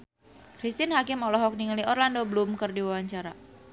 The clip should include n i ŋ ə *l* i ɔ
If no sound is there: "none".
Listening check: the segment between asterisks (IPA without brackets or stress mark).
l